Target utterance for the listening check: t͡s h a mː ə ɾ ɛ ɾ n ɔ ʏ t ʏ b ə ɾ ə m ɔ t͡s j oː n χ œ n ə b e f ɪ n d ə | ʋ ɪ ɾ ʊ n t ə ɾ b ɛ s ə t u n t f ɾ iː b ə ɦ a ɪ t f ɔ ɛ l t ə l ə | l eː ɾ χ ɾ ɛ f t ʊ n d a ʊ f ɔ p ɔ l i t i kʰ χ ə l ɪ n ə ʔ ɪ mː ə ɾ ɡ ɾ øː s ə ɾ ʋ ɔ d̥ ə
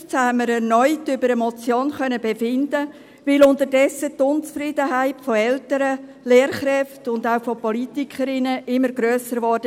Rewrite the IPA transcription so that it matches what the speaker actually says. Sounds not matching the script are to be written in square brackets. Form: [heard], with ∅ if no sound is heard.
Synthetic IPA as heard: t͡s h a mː ə ɾ ɛ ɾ n ɔ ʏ t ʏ b ə ɾ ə m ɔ t͡s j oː n χ œ n ə b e f ɪ n d ə | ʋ ɪ [l] ʊ n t ə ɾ [d] ɛ s ə t [ʊ] n [t͡s] f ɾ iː [d] ə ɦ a ɪ t f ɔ ɛ l t ə [ɾ] ə | l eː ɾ χ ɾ ɛ f t ʊ n d a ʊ f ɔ p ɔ l i t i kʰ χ ə [ɾ] ɪ n ə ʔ ɪ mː ə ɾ ɡ ɾ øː s ə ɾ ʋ ɔ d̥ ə

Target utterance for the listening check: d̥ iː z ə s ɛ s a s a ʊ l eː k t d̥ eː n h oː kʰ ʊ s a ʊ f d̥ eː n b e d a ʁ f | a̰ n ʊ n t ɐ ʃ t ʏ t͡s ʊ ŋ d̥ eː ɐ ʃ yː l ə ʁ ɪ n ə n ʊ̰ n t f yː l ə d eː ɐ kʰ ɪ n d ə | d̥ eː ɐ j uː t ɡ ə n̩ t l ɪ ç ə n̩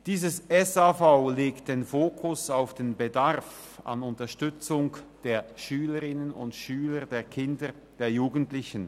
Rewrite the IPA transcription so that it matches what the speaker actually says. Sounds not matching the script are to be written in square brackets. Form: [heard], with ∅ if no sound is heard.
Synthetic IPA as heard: d̥ iː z ə s ɛ s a [f] a ʊ l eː k t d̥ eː n [f] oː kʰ ʊ s a ʊ f d̥ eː n b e d a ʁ f | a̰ n ʊ n t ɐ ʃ t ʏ t͡s ʊ ŋ d̥ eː ɐ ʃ yː l ə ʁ ɪ n ə n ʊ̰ n t [ʃ] yː l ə d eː ɐ kʰ ɪ n d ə | d̥ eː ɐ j uː [∅] ɡ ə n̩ t l ɪ ç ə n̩

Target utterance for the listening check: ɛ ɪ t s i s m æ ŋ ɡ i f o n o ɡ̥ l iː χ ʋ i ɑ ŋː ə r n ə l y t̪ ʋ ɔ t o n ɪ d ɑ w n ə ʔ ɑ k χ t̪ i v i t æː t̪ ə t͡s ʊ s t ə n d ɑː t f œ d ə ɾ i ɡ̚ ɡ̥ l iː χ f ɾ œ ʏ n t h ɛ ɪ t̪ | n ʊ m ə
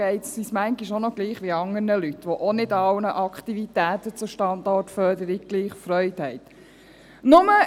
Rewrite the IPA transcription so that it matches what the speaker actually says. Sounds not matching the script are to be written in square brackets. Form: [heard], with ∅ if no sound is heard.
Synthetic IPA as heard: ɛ ɪ t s i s m æ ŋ ɡ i [ʃ] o n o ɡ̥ l iː χ ʋ i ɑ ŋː ə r n ə l y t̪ ʋ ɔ [ʔ] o n ɪ d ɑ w n ə ʔ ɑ k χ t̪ i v i t æː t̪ ə t͡s ʊ [ʃ] t [ɑ] n d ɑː t f œ d ə ɾ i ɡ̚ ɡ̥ l iː χ f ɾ œ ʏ [∅] t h ɛ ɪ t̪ | n ʊ m ə

